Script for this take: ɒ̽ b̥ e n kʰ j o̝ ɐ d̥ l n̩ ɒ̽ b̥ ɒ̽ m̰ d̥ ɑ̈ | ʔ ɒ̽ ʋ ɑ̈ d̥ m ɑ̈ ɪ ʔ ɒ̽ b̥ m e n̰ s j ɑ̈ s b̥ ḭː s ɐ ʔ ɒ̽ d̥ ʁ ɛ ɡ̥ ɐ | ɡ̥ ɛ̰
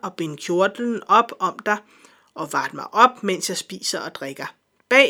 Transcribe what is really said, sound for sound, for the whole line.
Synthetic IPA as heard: ɒ̽ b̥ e n kʰ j o̝ ɐ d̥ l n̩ ɒ̽ b̥ ɒ̽ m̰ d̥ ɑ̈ | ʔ ɒ̽ ʋ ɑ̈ d̥ m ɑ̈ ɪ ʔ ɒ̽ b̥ m e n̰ s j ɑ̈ s b̥ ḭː s ɐ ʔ ɒ̽ d̥ ʁ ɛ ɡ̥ ɐ | b̥ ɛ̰